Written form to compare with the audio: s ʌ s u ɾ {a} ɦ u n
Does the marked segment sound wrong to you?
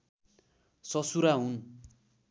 no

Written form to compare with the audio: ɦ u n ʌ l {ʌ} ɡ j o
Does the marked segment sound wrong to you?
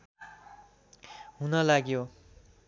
yes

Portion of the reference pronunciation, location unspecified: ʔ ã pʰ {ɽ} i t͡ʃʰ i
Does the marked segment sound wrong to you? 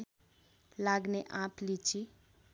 yes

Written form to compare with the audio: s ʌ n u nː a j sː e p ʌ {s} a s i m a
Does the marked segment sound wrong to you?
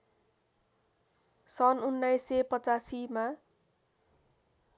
yes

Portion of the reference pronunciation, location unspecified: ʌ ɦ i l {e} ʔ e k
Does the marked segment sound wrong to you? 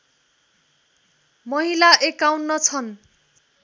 yes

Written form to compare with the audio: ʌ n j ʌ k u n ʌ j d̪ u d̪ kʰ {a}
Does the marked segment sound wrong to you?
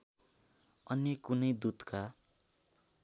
no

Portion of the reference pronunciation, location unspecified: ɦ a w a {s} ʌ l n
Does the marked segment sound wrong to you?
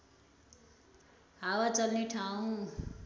yes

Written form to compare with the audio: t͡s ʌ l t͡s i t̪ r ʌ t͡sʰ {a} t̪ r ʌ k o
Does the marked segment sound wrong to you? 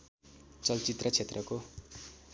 yes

